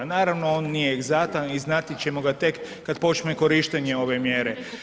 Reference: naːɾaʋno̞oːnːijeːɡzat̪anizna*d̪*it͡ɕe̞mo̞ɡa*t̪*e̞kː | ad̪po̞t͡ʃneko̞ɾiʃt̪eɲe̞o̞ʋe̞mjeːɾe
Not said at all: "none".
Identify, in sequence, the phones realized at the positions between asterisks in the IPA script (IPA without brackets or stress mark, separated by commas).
t̪, t̪